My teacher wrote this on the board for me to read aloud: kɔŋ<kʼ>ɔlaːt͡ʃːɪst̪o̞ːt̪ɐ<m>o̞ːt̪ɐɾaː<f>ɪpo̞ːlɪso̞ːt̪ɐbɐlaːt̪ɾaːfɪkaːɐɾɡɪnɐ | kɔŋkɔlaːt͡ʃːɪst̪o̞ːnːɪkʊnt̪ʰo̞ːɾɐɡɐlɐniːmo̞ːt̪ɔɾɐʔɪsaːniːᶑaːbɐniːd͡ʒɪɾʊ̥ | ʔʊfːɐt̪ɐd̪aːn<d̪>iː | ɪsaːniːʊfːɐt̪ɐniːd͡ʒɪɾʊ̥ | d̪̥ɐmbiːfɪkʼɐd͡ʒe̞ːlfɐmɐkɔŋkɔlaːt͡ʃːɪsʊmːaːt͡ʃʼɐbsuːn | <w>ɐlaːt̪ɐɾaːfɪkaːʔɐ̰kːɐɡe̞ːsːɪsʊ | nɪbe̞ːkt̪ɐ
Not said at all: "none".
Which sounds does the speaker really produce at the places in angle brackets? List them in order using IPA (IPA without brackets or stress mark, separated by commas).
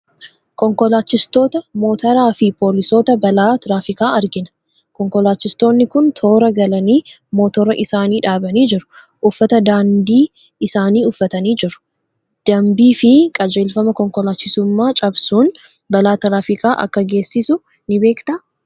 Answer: k, m, f, d̪, b